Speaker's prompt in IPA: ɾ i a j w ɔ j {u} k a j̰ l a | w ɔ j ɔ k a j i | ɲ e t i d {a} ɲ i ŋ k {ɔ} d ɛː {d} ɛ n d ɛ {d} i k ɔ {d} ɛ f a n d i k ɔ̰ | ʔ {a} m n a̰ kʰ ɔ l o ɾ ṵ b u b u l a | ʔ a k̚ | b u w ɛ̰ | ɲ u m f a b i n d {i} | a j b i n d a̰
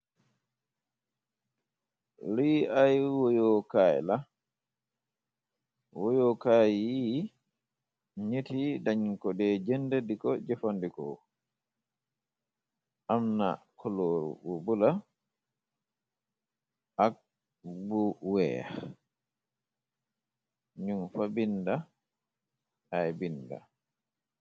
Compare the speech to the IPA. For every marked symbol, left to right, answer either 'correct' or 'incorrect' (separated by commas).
incorrect, correct, correct, incorrect, correct, incorrect, correct, incorrect